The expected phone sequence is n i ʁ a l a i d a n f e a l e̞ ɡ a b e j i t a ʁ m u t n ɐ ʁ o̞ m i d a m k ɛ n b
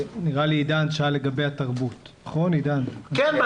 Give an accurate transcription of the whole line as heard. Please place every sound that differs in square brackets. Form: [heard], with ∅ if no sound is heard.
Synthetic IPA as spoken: n i ʁ a l [i] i d a n [ʃ] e a l e̞ ɡ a b e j [a] t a ʁ [b] u t n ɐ [χ] o̞ [n] i d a [n] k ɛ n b